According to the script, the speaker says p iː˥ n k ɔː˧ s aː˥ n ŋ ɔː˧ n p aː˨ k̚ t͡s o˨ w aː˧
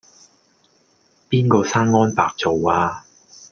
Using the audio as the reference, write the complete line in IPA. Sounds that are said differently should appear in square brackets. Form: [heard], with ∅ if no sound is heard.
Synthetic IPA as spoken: p iː˥ n k ɔː˧ s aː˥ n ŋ [ɔː˥] n p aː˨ k̚ t͡s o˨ w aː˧